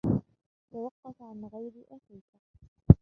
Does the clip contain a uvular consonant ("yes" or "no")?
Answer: yes